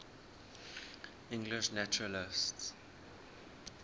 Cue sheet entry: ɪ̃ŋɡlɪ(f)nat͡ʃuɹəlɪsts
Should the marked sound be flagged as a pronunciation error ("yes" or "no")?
yes